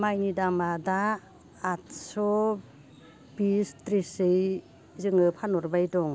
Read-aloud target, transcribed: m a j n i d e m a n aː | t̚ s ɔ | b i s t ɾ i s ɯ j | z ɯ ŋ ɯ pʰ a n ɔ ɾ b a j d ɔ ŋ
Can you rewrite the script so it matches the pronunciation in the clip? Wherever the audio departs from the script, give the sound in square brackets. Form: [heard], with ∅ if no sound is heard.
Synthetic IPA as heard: m a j n i d [a] m a [d] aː | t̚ s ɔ | b i s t ɾ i s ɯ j | z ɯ ŋ ɯ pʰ a n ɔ ɾ b a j d ɔ ŋ